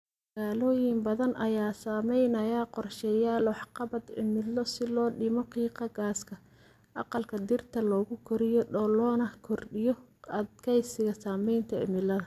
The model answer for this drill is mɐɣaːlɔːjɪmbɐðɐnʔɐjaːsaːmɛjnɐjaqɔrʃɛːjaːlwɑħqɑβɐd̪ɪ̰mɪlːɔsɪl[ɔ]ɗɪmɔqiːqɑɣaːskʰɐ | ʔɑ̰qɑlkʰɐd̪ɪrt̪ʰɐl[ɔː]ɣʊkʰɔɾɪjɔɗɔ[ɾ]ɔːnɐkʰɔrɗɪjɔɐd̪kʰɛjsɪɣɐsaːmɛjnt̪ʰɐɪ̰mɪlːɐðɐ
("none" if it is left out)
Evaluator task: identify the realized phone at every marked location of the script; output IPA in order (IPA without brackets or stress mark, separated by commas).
ɔː, ɔː, l